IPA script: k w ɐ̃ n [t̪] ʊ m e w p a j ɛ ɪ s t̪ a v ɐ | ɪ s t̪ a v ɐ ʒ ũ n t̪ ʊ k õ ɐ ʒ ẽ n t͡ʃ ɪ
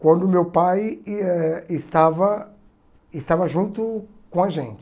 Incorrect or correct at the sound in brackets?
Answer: incorrect: d̪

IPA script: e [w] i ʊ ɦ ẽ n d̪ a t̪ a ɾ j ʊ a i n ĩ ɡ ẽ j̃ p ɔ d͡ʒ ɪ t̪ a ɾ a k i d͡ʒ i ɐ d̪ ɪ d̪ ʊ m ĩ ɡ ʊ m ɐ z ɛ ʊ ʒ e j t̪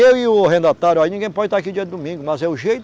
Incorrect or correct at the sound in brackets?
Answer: correct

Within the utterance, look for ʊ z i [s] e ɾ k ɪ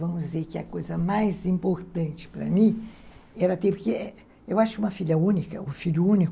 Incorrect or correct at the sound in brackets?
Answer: incorrect: z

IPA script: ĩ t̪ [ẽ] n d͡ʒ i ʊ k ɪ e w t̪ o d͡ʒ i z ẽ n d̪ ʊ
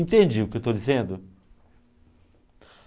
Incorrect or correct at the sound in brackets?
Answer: correct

